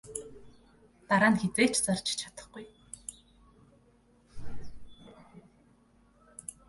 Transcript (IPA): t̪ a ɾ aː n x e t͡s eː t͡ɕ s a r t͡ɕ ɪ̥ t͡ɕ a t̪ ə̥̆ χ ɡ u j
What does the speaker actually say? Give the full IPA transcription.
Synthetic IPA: t̪ a ɾ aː n x e t͡s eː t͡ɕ t͡s a r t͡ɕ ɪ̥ t͡ɕʰ a t̪ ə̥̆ χ ɡ u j

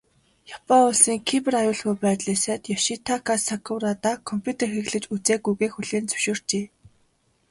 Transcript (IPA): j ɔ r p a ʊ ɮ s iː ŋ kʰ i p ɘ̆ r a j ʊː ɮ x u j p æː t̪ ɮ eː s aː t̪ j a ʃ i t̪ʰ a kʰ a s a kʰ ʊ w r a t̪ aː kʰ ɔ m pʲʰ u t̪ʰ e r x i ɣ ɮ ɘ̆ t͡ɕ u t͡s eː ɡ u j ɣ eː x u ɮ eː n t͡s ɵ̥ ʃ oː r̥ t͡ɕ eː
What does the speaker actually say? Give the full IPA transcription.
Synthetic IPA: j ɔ p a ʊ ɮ s iː ŋ kʰ i p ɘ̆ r a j ʊː ɮ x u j p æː t̪ ɮ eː s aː t̪ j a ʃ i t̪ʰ a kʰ a s a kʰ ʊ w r a t̪ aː kʰ ɔ m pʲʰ u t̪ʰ e r x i ɣ ɮ ɘ̆ t͡ɕ u t͡s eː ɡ u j ɣ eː x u ɮ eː n t͡s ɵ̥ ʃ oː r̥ t͡ɕ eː

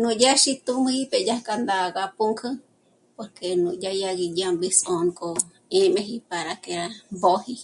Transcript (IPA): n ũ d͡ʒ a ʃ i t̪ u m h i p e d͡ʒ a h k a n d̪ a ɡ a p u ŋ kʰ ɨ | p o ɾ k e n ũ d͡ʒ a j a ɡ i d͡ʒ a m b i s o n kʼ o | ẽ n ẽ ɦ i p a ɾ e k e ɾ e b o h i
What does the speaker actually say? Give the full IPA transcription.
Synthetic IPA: n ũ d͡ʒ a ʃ i t̪ u m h i p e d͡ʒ a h k a n d̪ a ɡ a p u ŋ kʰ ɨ | p o ɾ k e n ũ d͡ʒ a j a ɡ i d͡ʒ a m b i s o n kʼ o | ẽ m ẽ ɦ i p a ɾ a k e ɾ a b o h i

